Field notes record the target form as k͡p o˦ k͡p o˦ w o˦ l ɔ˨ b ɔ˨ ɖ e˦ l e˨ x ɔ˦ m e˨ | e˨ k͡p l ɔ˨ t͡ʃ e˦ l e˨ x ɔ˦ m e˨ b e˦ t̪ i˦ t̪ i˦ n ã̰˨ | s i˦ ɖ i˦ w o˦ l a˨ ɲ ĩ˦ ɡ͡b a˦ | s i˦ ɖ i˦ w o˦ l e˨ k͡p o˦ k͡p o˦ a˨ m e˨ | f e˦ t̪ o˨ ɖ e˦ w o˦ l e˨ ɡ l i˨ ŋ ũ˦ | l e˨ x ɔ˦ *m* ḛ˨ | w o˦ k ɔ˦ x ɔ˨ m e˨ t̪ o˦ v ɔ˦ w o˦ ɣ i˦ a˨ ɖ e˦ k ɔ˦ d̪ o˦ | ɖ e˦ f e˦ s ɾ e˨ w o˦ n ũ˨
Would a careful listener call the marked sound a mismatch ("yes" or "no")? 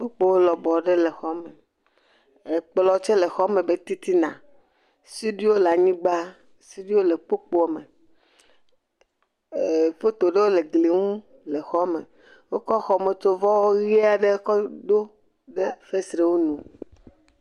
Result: no